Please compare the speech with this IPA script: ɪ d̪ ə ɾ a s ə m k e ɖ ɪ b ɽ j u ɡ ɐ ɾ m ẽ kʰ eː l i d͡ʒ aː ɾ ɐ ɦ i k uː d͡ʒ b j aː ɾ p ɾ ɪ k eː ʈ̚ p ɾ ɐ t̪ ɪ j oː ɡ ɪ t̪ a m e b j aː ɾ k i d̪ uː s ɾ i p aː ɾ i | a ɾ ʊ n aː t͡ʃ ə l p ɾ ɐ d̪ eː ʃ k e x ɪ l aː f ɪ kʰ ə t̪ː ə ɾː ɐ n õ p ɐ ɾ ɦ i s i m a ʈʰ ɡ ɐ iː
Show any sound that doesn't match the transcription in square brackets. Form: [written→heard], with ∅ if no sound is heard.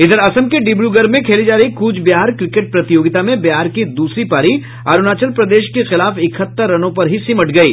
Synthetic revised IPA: ɪ d̪ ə ɾ [a→ɐ] s ə m k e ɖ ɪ b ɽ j u ɡ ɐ ɾ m ẽ kʰ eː l i d͡ʒ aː ɾ ɐ ɦ i k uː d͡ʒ b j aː ɾ [p→k] ɾ ɪ k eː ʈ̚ p ɾ ɐ t̪ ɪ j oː ɡ ɪ t̪ a m [e→ẽ] b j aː ɾ k i d̪ uː s ɾ i p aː ɾ i | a ɾ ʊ n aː t͡ʃ ə l p ɾ ɐ d̪ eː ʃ k e x ɪ l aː f ɪ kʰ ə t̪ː ə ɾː ɐ n õ p ɐ ɾ ɦ i s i m [a→ɐ] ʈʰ ɡ ɐ iː

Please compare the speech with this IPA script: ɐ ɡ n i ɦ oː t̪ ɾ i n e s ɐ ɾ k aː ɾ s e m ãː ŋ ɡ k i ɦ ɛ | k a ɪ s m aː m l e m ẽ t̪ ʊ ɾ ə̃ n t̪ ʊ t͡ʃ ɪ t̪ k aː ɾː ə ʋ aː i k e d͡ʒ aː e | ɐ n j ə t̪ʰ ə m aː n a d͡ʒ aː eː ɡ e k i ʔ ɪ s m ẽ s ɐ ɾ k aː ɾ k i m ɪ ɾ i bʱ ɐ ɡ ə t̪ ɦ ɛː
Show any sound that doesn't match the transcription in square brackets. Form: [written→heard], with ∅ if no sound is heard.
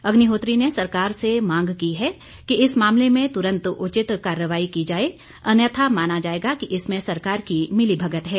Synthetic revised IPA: ɐ ɡ n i ɦ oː t̪ ɾ i n e s ɐ ɾ k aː ɾ s e m ãː ŋ ɡ k i ɦ ɛ | k [a→i] ɪ s m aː m l e m ẽ t̪ ʊ ɾ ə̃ n t̪ ʊ t͡ʃ ɪ t̪ k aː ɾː ə ʋ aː i k [e→i] d͡ʒ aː e | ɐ n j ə t̪ʰ [ə→a] m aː n a d͡ʒ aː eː ɡ [e→a] k i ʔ ɪ s m ẽ s ɐ ɾ k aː ɾ k i m ɪ [ɾ→l] i bʱ ɐ ɡ ə t̪ ɦ ɛː

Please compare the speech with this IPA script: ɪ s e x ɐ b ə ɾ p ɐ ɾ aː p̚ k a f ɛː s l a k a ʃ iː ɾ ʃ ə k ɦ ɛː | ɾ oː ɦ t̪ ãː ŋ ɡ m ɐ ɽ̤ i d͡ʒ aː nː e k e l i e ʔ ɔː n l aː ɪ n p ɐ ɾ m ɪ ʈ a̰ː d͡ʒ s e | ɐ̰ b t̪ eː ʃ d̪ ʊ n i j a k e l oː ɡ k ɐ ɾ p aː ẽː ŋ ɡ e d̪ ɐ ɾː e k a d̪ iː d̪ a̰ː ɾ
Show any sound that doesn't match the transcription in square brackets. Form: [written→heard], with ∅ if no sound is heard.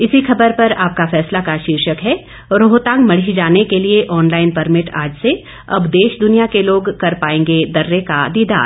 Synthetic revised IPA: ɪ s [e→i] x ɐ b ə ɾ p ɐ ɾ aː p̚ k a f ɛː s l a k a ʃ iː ɾ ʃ ə k ɦ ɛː | ɾ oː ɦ t̪ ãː ŋ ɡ m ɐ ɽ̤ i d͡ʒ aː [nː→n] e k e l i e ʔ ɔː n l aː ɪ n p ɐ ɾ m ɪ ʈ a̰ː d͡ʒ s e | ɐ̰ b [t̪→d̪] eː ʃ d̪ ʊ n i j a k e l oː ɡ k ɐ ɾ p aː ẽː ŋ ɡ e d̪ ɐ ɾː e k a d̪ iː d̪ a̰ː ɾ

